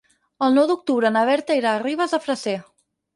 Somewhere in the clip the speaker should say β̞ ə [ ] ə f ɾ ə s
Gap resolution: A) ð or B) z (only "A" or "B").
B